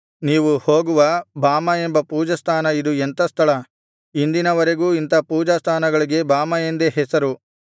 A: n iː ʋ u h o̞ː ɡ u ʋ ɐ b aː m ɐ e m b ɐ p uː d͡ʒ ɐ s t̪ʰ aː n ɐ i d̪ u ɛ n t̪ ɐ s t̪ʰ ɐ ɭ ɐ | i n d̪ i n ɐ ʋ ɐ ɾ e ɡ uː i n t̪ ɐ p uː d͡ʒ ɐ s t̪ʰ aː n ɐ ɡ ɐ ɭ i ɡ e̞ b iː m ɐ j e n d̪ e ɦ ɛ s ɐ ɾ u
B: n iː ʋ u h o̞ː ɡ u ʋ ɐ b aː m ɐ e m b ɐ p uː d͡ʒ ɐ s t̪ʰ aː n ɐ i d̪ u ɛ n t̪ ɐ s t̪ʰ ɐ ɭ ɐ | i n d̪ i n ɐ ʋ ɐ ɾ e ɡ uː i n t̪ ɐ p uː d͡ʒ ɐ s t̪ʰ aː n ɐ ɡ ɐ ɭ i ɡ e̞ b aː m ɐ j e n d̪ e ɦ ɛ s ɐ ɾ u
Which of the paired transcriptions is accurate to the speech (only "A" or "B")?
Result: B